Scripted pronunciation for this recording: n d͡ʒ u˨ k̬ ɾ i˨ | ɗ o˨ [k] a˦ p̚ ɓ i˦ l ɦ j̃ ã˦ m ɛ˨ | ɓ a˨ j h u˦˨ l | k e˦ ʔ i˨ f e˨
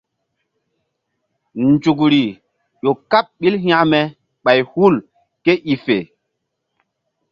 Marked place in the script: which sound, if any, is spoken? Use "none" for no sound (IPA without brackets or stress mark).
k